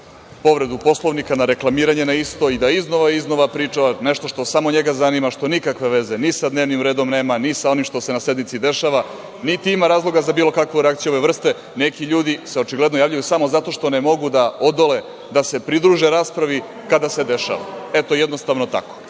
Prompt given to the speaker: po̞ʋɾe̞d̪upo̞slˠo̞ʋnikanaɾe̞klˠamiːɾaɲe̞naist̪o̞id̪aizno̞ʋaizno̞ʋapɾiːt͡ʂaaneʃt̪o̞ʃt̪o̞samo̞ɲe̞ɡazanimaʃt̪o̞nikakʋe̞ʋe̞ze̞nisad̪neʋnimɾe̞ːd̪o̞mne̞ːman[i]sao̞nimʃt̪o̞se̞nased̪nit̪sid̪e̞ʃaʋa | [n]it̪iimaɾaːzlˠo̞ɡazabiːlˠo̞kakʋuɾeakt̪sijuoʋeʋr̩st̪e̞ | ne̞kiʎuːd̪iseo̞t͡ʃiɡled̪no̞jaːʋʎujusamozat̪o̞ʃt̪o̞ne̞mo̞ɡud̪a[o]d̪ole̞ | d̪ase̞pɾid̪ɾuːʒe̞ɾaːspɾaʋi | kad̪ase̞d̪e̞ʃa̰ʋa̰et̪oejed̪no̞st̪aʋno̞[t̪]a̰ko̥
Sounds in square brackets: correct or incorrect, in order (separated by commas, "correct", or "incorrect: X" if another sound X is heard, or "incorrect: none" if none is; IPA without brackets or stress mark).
correct, correct, correct, correct